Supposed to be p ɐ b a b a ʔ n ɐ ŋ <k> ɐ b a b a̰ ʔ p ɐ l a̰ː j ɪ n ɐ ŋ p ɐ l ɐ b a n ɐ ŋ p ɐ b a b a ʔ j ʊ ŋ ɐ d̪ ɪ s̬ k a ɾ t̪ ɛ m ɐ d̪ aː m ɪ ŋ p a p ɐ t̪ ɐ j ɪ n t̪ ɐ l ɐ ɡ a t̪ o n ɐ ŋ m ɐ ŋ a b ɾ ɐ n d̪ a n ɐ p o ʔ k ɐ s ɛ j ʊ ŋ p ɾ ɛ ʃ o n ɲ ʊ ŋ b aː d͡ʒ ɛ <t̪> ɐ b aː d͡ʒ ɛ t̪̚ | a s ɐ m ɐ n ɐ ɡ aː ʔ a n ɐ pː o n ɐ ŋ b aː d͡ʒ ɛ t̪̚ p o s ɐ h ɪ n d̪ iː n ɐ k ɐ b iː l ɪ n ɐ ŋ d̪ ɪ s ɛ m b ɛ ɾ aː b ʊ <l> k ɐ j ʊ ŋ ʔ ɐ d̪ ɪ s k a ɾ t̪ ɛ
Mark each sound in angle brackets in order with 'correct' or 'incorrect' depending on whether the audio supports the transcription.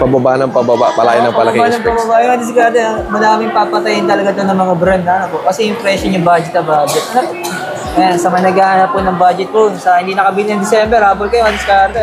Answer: incorrect: p, correct, correct

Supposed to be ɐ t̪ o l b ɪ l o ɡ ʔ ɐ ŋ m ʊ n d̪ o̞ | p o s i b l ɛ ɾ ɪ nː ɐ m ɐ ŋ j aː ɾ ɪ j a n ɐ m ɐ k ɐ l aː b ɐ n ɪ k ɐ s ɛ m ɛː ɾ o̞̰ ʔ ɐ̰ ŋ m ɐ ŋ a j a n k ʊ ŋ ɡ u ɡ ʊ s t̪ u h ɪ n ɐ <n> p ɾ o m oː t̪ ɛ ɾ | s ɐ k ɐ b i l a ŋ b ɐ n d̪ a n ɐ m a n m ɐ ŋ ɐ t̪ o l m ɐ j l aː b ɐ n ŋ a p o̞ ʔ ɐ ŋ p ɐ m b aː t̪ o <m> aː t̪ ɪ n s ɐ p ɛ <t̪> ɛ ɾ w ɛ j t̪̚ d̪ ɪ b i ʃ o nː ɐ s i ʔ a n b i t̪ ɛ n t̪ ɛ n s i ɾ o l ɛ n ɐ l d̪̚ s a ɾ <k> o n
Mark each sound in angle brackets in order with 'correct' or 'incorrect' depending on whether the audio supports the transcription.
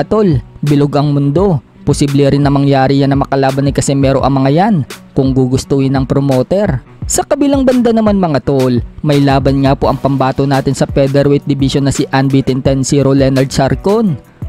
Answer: incorrect: ŋ, incorrect: n, incorrect: d̪, correct

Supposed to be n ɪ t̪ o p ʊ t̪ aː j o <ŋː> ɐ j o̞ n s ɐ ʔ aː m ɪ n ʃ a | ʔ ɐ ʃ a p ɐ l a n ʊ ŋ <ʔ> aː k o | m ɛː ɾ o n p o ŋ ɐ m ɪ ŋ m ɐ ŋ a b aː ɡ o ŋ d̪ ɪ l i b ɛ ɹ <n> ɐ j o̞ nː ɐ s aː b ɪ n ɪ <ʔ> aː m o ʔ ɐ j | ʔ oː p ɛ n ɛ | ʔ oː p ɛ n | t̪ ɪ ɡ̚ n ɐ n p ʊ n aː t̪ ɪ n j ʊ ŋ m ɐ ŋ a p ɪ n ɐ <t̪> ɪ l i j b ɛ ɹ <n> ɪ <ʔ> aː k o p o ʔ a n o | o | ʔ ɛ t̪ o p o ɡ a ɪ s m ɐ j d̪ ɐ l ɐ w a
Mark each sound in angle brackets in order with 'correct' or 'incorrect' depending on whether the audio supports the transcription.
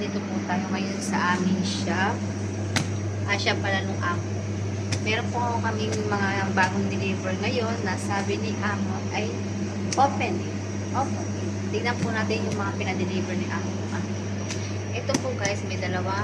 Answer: incorrect: ŋ, correct, incorrect: ŋ, correct, incorrect: d̪, correct, correct

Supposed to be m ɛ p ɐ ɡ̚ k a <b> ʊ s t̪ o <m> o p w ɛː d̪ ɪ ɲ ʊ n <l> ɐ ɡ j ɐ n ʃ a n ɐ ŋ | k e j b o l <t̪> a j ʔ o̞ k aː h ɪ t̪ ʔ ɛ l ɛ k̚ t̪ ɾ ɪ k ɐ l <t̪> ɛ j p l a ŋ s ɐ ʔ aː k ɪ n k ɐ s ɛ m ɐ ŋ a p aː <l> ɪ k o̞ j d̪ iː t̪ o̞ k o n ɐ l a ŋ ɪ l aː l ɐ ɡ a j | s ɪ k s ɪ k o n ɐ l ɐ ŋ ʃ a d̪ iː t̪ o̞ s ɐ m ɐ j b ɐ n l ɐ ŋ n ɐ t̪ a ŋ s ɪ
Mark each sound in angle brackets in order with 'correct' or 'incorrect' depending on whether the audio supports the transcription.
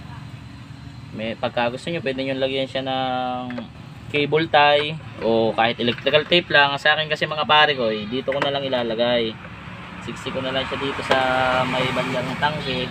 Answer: incorrect: ɡ, incorrect: ɲ, correct, correct, correct, incorrect: ɾ

